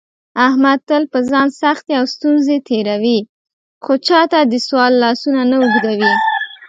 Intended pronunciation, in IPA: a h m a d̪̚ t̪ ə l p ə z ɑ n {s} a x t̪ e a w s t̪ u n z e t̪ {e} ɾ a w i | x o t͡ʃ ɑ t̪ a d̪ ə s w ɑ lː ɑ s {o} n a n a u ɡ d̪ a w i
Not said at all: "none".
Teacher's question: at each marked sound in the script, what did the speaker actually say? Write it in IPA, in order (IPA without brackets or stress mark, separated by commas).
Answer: s, e, u